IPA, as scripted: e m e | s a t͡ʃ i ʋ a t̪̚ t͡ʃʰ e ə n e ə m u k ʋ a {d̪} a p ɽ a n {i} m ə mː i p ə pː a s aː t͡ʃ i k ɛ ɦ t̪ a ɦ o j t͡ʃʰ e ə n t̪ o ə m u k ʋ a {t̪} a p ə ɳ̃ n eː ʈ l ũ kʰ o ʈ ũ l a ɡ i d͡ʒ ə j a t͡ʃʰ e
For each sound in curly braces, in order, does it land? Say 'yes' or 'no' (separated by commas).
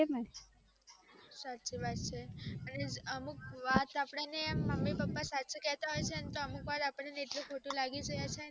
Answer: no, no, yes